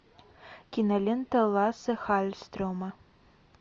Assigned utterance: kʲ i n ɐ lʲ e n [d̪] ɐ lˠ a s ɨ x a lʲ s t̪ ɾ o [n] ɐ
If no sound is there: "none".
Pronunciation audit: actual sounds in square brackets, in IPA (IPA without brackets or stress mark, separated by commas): t̪, m